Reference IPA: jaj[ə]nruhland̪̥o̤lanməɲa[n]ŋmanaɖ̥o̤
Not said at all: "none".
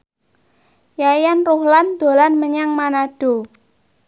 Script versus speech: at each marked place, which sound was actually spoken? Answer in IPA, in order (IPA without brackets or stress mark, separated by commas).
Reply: a, none